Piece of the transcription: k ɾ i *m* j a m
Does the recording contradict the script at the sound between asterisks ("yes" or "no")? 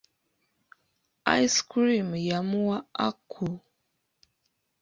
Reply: no